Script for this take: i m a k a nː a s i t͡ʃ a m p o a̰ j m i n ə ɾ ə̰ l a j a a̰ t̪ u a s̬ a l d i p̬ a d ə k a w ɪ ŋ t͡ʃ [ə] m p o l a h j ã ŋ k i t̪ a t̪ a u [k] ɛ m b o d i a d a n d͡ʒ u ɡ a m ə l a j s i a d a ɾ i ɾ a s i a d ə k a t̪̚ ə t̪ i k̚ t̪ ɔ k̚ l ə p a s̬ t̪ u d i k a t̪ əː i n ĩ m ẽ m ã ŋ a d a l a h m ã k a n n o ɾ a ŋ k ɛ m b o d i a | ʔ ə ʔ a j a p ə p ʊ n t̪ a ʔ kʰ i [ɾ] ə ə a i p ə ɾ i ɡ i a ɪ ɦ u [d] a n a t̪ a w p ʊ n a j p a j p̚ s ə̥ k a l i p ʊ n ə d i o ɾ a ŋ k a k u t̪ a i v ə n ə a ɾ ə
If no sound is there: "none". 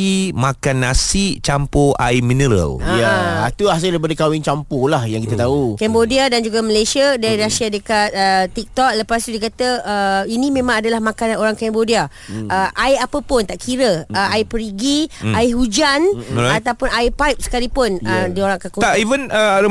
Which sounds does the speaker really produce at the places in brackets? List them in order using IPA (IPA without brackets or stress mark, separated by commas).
a, k, ɾ, d͡ʒ